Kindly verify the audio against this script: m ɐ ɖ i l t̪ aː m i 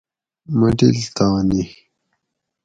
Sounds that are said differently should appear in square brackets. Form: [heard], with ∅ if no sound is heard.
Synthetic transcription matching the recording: m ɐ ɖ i l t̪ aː [n] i